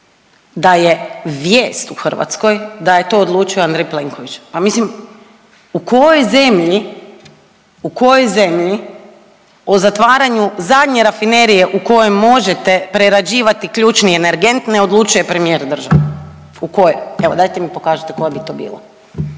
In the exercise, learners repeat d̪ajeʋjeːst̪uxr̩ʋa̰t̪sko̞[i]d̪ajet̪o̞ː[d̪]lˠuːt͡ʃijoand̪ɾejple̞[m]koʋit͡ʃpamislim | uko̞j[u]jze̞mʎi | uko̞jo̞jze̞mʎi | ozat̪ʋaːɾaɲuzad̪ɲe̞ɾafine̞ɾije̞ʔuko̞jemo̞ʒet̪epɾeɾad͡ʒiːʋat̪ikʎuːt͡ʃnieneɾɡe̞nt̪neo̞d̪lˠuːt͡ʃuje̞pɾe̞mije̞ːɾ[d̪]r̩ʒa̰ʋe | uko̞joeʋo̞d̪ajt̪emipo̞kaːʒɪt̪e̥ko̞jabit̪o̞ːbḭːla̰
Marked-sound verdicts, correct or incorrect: incorrect: j, correct, incorrect: ŋ, incorrect: o, correct

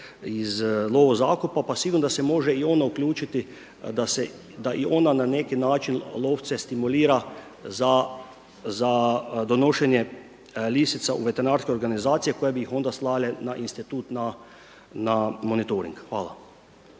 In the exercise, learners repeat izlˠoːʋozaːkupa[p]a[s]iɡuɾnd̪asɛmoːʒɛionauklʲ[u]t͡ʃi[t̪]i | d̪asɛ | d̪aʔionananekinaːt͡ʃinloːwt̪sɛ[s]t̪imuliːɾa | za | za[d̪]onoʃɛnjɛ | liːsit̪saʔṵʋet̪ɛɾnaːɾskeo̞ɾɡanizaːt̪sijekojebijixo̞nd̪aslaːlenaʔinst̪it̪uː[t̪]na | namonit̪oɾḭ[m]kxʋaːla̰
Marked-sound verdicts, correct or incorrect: correct, correct, incorrect: uː, correct, correct, correct, correct, incorrect: ŋ

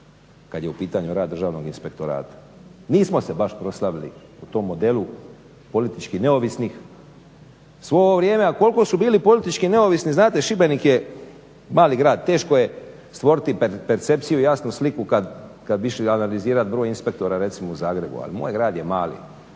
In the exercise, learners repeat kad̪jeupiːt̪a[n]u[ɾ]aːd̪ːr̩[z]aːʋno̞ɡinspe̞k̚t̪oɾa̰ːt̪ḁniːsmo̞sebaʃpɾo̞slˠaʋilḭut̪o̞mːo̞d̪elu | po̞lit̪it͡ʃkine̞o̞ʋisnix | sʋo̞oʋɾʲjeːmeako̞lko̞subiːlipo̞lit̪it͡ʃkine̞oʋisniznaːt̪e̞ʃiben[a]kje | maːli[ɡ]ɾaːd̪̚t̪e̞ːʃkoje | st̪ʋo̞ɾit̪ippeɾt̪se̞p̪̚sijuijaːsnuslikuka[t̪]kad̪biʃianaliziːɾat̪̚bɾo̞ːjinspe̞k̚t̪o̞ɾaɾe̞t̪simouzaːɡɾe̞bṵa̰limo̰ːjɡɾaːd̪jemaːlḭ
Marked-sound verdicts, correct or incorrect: incorrect: ɲ, correct, incorrect: ʒ, incorrect: i, correct, incorrect: d̪

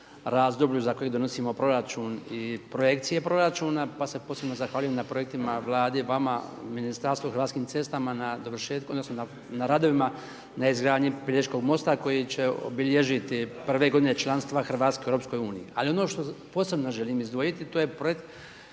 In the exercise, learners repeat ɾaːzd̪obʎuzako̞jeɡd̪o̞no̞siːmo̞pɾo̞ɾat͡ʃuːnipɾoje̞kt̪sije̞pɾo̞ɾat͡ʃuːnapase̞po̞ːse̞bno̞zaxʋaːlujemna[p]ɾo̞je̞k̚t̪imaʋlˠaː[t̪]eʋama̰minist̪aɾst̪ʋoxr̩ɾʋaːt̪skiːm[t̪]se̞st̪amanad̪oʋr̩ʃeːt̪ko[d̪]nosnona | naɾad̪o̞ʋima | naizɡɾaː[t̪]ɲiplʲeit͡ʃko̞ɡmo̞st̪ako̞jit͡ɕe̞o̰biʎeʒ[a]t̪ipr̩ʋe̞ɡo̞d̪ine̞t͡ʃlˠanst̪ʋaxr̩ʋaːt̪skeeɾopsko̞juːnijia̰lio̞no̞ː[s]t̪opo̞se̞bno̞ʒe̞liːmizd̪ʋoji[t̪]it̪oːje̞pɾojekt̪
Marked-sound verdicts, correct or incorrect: correct, incorrect: d̪, correct, correct, incorrect: d̪, incorrect: i, incorrect: ʃ, correct

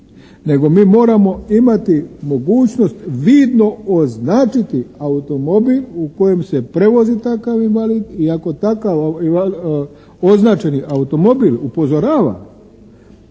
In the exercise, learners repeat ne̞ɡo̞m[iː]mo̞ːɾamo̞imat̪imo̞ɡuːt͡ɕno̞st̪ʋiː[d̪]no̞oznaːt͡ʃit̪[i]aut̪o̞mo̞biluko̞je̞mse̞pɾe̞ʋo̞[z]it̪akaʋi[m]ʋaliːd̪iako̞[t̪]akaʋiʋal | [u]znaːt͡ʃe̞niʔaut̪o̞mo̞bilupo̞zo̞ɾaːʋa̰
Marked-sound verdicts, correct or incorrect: correct, correct, correct, correct, incorrect: n, correct, incorrect: o

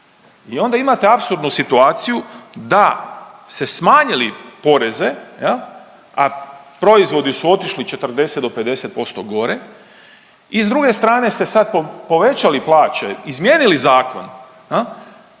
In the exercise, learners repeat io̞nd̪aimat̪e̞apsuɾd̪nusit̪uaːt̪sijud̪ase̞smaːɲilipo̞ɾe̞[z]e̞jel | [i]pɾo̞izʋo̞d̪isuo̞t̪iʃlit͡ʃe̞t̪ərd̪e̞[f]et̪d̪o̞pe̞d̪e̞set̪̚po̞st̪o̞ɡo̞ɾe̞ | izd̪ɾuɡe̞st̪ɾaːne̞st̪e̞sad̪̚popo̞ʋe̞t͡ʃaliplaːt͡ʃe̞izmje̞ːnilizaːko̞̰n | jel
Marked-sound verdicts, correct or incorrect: correct, incorrect: a, incorrect: s

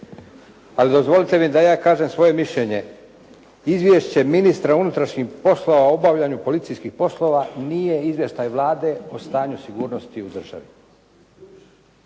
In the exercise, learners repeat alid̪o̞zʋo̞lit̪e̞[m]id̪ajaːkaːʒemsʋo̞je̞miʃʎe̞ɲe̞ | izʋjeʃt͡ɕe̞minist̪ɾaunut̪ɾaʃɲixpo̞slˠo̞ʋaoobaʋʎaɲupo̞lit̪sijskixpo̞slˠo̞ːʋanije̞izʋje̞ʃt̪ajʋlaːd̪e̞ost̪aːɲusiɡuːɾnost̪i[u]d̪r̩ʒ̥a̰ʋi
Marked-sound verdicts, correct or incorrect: correct, correct

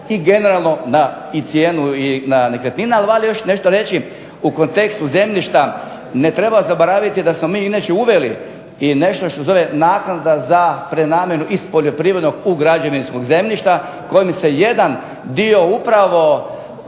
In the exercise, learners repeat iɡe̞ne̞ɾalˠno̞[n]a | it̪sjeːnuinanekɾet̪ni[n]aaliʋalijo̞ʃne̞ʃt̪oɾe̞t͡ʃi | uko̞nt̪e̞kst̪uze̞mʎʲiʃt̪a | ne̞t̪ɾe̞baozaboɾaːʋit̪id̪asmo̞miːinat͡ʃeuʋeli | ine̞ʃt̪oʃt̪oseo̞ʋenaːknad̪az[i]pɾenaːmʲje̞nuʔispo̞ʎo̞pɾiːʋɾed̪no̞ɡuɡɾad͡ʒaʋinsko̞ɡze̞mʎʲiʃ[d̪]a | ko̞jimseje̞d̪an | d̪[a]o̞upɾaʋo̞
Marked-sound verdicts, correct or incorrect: correct, correct, incorrect: a, incorrect: t̪, incorrect: i

